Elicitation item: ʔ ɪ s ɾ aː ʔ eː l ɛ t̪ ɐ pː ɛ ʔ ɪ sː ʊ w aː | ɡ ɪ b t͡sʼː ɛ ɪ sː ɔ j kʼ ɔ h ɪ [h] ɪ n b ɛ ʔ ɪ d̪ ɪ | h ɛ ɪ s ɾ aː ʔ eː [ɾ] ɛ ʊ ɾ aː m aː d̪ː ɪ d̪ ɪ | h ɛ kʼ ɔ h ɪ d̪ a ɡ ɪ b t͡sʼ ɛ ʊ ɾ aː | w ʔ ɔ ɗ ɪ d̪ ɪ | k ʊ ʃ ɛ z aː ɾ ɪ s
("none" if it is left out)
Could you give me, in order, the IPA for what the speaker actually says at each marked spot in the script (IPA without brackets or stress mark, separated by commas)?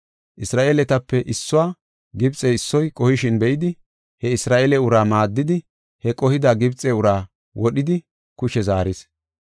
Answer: ʃ, l